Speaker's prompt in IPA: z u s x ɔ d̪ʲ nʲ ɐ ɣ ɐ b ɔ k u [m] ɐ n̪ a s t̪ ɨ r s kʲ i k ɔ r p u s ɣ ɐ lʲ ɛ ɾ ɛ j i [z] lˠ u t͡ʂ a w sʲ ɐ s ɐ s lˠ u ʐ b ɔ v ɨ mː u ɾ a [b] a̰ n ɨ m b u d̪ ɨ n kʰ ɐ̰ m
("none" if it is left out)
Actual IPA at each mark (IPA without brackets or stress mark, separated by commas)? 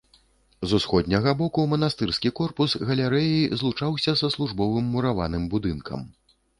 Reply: m, z, v